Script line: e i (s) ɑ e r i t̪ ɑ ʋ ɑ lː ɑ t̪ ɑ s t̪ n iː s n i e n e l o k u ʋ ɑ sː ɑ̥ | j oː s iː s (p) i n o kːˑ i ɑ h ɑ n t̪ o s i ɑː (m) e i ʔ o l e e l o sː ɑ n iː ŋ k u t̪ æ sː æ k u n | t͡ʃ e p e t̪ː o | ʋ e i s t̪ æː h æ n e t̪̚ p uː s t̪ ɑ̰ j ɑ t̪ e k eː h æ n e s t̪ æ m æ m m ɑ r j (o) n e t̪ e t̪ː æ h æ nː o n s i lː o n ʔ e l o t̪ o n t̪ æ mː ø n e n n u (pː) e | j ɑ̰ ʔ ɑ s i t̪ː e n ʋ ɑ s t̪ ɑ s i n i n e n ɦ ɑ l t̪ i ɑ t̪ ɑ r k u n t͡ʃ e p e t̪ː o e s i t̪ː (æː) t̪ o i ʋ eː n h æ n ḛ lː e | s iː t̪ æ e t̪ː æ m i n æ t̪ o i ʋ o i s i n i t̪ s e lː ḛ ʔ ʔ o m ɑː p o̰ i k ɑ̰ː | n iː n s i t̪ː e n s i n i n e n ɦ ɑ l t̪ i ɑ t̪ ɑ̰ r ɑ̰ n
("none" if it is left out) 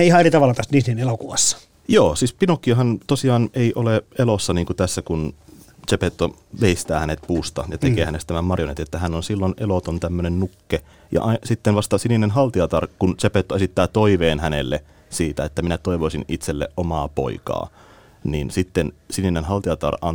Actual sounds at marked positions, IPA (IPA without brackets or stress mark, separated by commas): h, p, n, o, kː, æː